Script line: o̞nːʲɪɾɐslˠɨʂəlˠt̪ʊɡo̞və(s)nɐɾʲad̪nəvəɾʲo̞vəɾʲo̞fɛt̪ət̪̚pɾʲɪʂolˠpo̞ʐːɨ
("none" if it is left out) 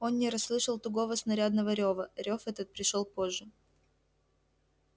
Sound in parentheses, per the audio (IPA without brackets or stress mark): s